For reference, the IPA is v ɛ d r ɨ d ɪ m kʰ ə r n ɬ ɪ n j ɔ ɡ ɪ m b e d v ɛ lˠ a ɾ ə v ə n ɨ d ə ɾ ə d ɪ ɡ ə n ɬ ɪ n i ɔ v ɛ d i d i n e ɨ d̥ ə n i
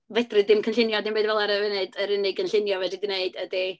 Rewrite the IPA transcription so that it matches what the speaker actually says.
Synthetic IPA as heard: v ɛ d r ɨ d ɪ m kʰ ə n ɬ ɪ n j ɔ d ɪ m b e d v ɛ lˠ a ɾ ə v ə n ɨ d ə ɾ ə n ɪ ɡ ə n ɬ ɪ n j ɔ v ɛ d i d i n e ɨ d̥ ə d i